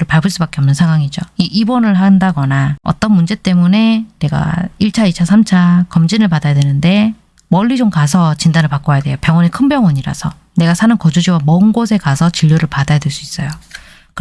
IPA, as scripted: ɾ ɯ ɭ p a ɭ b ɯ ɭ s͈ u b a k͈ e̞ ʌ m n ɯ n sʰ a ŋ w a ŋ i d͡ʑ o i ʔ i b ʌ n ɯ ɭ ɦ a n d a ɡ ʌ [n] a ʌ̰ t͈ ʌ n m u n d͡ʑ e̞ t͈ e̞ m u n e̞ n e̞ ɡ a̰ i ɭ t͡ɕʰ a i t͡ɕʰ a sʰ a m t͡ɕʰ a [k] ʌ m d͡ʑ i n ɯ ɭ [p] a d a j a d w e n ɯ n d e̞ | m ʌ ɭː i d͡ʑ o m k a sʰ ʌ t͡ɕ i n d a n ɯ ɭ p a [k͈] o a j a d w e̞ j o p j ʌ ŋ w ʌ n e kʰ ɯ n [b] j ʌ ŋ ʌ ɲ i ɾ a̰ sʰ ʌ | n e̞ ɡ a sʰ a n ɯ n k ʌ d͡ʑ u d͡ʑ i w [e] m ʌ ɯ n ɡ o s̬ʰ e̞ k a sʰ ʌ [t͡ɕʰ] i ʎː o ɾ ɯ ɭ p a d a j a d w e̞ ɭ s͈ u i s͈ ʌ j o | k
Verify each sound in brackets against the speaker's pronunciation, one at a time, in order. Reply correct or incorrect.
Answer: correct, correct, correct, correct, correct, incorrect: a, incorrect: t͡ɕ

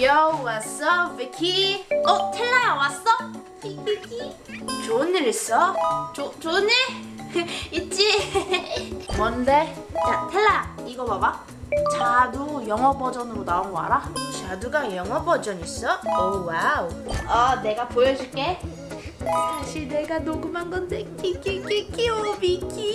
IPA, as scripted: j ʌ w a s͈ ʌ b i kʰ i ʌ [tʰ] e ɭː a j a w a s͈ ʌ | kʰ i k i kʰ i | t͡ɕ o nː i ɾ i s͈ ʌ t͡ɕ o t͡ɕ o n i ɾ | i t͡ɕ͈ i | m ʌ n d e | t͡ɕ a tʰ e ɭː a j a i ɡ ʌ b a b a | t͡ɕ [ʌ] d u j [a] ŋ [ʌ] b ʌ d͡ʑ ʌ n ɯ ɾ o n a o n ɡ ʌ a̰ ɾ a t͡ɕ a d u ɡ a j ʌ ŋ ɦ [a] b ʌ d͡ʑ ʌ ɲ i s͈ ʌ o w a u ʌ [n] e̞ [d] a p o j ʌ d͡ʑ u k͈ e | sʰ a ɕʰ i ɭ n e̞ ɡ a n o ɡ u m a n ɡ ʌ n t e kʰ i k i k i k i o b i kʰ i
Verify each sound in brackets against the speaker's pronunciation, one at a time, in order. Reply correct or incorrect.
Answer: correct, incorrect: a, incorrect: ʌ, correct, incorrect: ʌ, correct, incorrect: ɡ

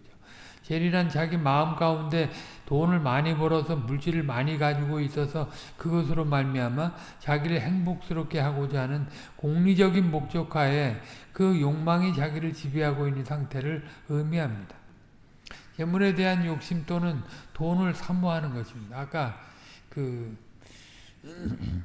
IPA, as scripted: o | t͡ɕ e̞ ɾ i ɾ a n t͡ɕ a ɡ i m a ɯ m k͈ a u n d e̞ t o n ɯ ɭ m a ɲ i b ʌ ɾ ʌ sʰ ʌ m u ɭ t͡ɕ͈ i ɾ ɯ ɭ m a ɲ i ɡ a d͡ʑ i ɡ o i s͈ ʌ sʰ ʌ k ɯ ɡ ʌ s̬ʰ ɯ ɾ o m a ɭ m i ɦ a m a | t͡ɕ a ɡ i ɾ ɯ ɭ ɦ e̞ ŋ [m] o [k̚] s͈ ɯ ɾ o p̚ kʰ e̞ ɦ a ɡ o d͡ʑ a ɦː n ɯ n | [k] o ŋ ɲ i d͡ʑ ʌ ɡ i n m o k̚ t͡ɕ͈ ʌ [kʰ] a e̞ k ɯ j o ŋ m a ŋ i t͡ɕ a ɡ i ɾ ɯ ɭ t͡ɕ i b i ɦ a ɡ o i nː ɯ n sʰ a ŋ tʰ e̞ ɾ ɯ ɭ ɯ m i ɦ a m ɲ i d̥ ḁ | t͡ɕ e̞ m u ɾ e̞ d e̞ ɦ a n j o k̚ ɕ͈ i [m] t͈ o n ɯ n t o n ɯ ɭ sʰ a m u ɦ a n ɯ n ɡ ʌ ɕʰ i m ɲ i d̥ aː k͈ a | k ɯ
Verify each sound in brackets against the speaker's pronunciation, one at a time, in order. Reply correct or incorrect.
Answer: incorrect: b, correct, correct, correct, correct

